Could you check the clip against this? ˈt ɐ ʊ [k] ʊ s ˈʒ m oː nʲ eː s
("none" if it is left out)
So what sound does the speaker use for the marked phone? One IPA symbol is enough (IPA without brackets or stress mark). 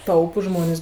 p